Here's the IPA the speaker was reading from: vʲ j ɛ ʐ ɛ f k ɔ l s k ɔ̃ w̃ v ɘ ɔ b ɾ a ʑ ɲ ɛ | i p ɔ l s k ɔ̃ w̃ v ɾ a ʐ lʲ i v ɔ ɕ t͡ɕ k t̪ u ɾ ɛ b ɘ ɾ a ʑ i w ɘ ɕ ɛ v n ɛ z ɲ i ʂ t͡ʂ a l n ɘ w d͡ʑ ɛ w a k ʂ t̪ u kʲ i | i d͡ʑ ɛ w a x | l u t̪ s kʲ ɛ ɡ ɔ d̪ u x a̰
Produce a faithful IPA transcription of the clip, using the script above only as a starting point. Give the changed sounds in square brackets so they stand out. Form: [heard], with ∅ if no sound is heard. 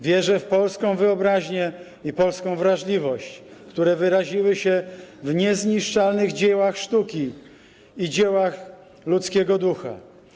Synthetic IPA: vʲ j ɛ ʐ ɛ f [p] ɔ l s k ɔ̃ w̃ v ɘ ɔ b ɾ a ʑ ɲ ɛ | i p ɔ l s k ɔ̃ w̃ v ɾ a ʐ lʲ i v ɔ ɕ t͡ɕ k t̪ u ɾ ɛ [v] ɘ ɾ a ʑ i w ɘ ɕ ɛ v [ɲ] ɛ z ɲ i ʂ t͡ʂ a l n ɘ [ɣ] d͡ʑ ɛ w a [x] ʂ t̪ u kʲ i | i d͡ʑ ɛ w a x | l u t̪ s kʲ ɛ ɡ ɔ d̪ u x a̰